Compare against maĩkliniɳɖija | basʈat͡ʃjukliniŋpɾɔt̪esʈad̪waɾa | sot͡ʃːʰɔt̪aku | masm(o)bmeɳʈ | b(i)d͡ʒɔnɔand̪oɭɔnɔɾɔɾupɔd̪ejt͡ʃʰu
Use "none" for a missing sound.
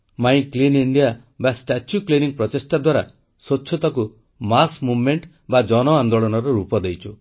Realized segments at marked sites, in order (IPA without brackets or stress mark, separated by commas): u, a